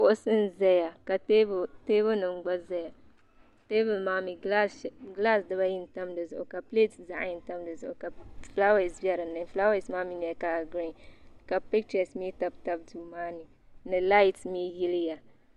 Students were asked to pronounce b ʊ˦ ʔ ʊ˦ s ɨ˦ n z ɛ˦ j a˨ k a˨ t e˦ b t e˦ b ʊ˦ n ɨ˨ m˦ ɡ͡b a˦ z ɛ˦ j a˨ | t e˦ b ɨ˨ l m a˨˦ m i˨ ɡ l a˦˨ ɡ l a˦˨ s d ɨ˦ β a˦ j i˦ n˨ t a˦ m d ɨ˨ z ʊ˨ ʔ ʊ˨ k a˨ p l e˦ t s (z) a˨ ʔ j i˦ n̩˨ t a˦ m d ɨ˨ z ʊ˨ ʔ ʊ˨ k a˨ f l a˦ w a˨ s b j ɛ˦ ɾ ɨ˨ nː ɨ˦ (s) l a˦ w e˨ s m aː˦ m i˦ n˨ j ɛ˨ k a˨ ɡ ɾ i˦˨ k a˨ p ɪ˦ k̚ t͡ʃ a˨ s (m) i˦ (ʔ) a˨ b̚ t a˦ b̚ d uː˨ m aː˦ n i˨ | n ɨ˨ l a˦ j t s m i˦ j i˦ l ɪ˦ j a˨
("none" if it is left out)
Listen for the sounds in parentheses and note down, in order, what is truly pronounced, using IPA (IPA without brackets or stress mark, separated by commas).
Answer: z, f, m, t